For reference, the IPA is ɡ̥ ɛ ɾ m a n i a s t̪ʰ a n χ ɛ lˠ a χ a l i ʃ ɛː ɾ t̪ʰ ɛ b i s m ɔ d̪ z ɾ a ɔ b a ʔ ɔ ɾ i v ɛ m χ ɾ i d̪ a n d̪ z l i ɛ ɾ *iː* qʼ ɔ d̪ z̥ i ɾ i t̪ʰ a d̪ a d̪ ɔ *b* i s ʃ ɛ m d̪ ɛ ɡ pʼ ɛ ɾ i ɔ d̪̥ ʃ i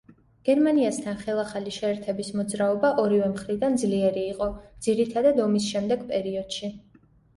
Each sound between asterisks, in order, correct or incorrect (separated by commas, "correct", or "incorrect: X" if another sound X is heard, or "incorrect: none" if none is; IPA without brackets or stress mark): correct, incorrect: m